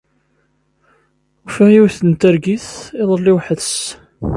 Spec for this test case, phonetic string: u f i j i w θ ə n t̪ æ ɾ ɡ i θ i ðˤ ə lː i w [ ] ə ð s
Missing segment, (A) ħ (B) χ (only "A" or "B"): A